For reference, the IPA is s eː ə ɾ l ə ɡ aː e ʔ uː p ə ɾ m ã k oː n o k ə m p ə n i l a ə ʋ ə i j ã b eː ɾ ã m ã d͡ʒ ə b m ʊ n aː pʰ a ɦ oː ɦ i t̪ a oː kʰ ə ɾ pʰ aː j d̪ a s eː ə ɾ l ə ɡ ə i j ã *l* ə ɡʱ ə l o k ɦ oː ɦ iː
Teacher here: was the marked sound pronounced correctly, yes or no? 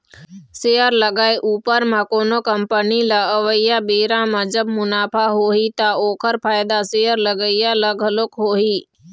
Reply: yes